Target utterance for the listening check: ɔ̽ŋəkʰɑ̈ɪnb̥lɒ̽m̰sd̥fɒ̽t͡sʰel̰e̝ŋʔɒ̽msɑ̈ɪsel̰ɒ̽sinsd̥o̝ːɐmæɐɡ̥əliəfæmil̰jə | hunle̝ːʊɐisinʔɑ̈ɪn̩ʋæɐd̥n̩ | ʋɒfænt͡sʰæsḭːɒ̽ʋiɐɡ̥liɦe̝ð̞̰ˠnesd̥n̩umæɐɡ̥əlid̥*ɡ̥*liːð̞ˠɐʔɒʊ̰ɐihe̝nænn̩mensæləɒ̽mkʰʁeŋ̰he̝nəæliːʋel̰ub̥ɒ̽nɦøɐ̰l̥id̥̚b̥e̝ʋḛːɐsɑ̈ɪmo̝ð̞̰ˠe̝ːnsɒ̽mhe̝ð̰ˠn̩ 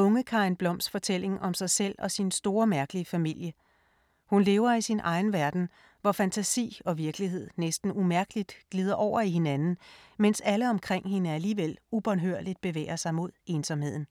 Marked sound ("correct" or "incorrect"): correct